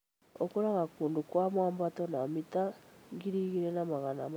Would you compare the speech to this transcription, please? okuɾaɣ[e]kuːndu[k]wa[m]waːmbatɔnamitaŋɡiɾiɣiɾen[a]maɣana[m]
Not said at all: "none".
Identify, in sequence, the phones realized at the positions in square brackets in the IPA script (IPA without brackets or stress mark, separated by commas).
a, k, m, a, m